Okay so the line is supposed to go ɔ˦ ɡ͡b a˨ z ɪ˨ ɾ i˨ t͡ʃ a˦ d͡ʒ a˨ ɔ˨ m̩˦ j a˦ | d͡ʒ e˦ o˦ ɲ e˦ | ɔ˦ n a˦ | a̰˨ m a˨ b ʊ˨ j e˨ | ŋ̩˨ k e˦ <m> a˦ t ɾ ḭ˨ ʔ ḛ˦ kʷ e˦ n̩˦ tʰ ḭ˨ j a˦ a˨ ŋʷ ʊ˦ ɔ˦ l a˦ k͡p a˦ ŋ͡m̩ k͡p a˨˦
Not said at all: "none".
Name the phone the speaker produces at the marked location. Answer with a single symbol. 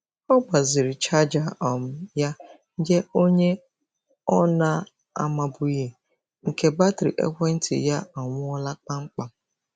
b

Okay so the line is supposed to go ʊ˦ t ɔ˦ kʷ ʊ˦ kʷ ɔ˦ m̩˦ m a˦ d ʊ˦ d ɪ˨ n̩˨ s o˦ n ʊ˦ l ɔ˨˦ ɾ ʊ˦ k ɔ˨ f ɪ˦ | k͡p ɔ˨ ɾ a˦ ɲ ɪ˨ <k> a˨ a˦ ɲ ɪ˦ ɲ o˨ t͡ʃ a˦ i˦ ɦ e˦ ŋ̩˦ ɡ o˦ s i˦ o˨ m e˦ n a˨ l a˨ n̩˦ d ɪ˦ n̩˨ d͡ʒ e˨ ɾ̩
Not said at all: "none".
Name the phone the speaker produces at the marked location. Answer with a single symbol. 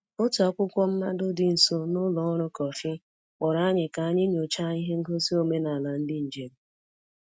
k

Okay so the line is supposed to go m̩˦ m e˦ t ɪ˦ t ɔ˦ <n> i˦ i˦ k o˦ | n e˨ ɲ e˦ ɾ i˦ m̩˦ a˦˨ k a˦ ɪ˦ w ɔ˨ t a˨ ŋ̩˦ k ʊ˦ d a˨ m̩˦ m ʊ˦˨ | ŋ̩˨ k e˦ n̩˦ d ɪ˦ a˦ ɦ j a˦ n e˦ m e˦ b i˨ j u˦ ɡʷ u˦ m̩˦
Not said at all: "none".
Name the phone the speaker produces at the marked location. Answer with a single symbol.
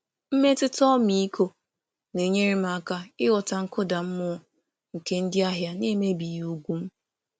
m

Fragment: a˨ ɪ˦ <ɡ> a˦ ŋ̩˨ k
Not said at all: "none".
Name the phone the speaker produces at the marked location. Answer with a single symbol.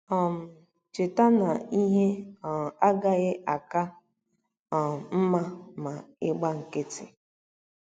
ɡ͡b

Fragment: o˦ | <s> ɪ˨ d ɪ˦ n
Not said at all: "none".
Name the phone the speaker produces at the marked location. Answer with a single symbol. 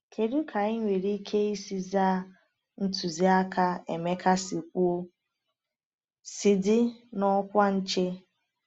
s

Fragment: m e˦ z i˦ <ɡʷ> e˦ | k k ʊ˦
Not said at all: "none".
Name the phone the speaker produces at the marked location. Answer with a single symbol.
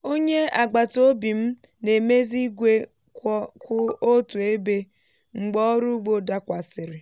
ɡʷ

